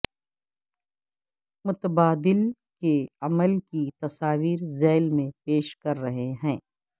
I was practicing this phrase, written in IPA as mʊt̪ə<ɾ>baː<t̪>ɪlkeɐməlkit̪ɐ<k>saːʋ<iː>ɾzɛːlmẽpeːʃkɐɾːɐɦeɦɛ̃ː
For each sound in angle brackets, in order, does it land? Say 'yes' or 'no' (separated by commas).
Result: no, no, no, yes